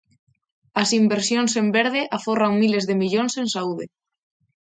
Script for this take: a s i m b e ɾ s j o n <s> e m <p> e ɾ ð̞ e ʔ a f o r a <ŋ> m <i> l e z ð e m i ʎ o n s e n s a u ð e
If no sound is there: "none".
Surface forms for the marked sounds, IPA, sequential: s, b, ŋ, i

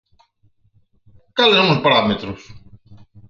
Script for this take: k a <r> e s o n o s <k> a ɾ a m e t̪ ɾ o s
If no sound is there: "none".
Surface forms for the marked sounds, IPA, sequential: l, p

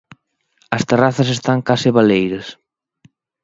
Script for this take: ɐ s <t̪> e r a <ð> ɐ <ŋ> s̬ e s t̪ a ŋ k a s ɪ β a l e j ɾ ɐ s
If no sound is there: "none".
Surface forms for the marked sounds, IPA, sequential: t̪, θ, none

